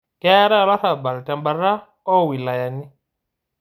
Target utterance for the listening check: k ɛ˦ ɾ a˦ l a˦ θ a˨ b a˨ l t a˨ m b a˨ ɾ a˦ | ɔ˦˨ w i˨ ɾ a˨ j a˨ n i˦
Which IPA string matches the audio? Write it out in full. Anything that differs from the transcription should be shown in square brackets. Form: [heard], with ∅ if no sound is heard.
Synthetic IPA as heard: k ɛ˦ ɾ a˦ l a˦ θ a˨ b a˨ l t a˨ m b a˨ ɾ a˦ | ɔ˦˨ w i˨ [l] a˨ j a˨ n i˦